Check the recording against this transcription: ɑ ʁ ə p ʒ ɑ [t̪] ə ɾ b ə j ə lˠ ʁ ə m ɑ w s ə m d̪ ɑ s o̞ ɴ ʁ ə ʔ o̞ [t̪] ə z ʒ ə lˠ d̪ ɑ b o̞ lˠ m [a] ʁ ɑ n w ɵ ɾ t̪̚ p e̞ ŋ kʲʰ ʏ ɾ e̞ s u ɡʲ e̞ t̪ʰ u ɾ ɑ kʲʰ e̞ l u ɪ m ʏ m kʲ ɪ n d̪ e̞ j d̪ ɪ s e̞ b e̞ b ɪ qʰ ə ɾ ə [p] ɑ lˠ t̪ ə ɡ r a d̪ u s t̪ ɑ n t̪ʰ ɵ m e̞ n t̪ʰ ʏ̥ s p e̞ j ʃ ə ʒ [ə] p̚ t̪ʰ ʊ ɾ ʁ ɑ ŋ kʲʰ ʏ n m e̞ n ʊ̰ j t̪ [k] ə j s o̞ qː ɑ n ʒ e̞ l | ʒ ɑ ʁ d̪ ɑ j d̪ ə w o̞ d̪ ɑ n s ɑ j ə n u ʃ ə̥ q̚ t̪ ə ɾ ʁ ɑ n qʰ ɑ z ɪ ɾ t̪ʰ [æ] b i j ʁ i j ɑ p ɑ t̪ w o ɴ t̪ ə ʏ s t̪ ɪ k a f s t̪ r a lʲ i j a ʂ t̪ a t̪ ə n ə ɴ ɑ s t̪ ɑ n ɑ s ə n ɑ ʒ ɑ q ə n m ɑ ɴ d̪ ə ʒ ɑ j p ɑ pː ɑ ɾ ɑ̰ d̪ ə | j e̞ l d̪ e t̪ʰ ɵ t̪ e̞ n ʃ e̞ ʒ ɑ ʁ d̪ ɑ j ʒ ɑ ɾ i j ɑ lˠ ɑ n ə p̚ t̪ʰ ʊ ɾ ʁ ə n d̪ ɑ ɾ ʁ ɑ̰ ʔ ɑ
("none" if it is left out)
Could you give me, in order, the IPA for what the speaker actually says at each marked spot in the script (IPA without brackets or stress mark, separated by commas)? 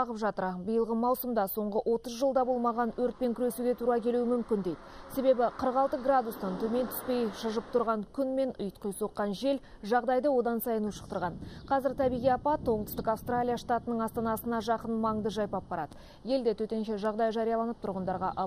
t̪, t̪, ɑ, q, ə, q, æ